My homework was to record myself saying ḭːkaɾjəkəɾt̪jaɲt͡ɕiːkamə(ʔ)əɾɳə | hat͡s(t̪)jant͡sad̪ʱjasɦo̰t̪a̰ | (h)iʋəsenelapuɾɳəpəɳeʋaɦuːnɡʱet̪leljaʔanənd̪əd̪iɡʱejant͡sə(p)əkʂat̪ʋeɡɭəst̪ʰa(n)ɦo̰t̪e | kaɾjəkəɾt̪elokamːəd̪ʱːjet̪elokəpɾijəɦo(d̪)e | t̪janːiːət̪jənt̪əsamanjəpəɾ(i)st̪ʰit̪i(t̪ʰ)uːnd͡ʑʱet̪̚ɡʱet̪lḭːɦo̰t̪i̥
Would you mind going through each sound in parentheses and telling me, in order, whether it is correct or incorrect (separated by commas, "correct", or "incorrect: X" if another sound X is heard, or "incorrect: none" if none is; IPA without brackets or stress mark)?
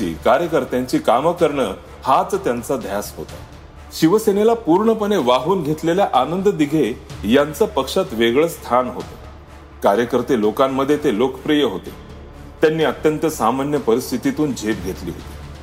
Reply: incorrect: k, correct, incorrect: ɕ, correct, correct, incorrect: t̪, correct, incorrect: t̪